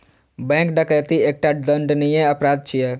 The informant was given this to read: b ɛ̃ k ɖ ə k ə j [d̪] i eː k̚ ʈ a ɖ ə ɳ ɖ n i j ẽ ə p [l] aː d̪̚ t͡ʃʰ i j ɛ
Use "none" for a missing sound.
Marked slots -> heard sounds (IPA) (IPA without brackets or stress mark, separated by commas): t̪, ɾ